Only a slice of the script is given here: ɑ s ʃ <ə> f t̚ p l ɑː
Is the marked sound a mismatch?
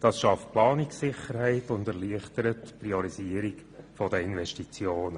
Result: yes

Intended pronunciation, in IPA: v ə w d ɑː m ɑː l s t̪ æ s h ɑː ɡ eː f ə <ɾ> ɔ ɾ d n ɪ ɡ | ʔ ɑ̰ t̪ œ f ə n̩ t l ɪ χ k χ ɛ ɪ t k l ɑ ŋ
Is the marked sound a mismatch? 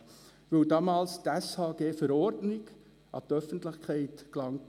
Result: no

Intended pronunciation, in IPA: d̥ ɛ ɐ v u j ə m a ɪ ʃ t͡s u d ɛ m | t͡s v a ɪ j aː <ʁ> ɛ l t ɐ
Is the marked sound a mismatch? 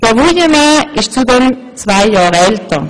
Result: no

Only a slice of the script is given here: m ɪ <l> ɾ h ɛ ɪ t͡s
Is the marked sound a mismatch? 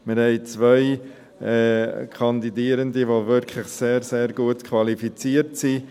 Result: yes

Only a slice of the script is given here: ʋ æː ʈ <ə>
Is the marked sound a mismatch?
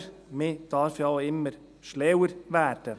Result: no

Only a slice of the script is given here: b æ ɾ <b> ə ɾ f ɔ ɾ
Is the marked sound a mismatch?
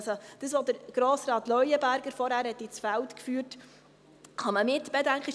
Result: yes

